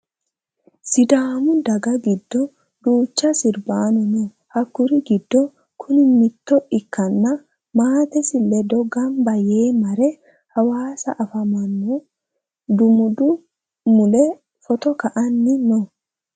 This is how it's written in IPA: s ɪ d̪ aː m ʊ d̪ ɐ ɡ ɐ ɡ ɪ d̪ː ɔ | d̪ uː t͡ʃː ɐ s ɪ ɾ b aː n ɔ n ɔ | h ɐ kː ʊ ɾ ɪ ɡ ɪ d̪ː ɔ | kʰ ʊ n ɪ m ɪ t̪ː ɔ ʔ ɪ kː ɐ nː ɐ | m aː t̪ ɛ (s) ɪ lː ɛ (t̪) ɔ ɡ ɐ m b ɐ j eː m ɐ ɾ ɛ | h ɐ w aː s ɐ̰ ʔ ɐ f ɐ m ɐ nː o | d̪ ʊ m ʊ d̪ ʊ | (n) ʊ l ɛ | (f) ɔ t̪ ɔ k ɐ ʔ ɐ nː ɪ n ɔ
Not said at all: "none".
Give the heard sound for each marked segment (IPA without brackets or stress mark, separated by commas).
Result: s, d̪, m, f